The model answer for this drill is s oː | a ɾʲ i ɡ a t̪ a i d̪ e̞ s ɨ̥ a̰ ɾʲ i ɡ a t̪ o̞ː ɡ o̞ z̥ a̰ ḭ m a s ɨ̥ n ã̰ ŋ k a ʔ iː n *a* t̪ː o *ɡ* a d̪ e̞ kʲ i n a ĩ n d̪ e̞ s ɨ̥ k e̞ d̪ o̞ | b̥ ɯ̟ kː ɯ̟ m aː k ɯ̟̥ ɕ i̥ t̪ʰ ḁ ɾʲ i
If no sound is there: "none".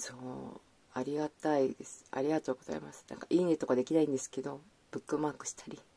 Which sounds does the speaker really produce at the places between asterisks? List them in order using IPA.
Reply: e, k

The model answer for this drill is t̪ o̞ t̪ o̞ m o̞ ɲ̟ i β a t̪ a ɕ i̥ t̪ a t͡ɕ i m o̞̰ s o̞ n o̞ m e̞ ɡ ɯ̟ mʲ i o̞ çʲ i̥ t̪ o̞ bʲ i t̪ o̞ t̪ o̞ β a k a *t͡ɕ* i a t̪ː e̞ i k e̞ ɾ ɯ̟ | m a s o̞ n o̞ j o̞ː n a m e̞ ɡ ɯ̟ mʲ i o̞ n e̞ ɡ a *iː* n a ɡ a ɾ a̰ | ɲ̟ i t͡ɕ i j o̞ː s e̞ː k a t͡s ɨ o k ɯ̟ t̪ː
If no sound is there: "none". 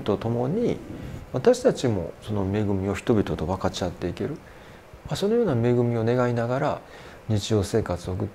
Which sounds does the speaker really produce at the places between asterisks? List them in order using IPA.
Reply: t͡ɕ, i

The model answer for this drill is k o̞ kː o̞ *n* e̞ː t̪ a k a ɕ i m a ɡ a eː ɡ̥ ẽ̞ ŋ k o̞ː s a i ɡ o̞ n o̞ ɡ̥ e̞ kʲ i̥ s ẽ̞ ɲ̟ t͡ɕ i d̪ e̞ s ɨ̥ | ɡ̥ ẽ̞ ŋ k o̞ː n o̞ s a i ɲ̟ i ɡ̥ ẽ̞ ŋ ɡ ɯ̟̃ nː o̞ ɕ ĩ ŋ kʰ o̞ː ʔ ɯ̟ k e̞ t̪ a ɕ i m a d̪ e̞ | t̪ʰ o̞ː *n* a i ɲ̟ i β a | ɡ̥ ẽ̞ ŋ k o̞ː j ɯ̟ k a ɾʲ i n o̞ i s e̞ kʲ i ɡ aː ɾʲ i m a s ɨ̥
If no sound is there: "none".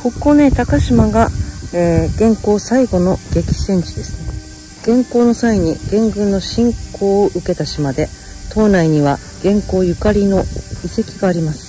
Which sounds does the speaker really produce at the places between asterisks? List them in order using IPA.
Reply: n, n

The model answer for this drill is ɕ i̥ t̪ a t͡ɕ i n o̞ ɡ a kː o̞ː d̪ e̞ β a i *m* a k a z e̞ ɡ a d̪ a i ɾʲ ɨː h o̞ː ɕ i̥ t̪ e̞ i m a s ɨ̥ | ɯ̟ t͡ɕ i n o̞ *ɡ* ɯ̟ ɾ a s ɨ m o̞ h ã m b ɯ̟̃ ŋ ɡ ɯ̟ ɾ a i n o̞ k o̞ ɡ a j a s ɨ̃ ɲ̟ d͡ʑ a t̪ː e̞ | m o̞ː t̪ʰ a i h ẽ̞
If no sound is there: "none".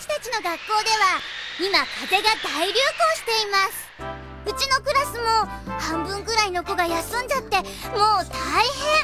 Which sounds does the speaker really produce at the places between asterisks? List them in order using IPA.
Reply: m, k

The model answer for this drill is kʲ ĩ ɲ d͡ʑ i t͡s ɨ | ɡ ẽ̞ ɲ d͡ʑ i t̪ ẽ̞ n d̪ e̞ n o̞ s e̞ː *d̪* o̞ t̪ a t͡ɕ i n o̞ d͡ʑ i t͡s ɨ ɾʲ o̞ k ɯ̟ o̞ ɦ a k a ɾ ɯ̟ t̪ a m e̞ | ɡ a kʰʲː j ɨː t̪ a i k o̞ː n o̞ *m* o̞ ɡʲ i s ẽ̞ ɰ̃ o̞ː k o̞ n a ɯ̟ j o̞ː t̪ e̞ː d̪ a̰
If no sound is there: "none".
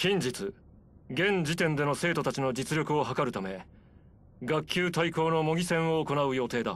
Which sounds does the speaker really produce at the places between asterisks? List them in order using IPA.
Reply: t̪, m

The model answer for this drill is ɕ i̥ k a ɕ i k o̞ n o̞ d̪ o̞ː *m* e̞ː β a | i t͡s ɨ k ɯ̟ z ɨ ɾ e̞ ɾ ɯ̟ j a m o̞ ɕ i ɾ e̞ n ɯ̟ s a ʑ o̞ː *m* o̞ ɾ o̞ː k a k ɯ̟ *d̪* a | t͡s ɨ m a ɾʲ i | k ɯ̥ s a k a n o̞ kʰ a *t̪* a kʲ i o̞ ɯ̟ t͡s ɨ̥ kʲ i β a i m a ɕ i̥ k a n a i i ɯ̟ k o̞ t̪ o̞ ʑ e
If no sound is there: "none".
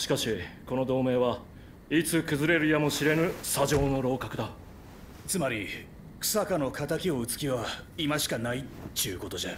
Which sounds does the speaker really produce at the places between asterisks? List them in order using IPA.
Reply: m, n, d̪, t̪

